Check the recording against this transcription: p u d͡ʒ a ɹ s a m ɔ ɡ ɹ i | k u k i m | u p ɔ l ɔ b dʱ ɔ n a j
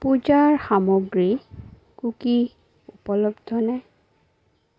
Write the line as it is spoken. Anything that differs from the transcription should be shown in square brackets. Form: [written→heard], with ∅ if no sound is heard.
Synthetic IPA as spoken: p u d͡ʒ a ɹ [s→x] a m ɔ ɡ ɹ i | k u k i [m→∅] | u p ɔ l ɔ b dʱ ɔ n a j